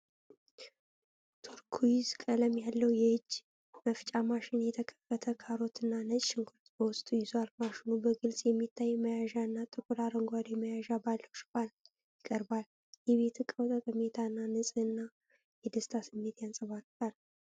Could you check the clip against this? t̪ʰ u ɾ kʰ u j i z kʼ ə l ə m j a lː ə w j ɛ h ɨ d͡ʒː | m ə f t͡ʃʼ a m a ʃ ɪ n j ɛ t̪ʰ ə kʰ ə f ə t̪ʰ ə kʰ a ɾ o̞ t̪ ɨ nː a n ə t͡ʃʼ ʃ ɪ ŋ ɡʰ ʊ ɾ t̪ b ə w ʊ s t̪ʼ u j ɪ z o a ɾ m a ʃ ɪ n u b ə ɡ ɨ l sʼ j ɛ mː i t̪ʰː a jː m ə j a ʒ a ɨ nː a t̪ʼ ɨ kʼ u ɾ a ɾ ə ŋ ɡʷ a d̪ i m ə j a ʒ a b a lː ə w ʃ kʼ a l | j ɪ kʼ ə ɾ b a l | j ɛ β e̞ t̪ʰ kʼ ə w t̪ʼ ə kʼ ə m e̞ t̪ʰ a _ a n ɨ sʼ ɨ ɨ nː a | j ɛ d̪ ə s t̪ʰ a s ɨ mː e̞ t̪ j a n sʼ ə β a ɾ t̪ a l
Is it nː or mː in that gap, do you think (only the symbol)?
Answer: nː